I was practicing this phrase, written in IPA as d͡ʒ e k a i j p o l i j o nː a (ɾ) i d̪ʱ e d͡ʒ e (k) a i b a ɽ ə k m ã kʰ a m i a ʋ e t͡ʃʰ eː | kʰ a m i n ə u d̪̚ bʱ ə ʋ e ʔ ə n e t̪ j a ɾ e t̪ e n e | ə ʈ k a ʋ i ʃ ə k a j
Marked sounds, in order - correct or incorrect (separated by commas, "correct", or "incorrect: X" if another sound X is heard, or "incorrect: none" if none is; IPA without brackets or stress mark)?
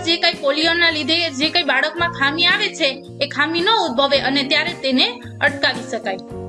incorrect: l, correct